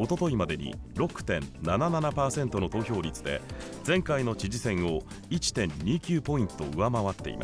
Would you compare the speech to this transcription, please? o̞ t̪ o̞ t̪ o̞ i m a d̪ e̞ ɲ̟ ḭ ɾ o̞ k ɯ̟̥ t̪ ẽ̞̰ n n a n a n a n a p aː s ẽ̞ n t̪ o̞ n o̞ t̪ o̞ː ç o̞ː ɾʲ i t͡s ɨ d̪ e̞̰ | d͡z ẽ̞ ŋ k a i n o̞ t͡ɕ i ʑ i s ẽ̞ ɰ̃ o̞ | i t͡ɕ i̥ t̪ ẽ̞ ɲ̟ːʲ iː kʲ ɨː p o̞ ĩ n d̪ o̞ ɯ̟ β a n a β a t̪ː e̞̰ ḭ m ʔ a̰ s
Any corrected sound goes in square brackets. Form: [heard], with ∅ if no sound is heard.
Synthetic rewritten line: o̞ t̪ o̞ t̪ o̞ i m a d̪ e̞ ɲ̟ ḭ ɾ o̞ k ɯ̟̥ t̪ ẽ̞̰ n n a n a n a n a p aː s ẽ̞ n t̪ o̞ n o̞ t̪ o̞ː ç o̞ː ɾʲ i t͡s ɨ d̪ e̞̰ | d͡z ẽ̞ ŋ k a i n o̞ t͡ɕ i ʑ i s ẽ̞ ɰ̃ o̞ | i t͡ɕ i̥ t̪ ẽ̞ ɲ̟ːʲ iː kʲ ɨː p o̞ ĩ n [t̪] o̞ ɯ̟ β a [m] a β a t̪ː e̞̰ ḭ m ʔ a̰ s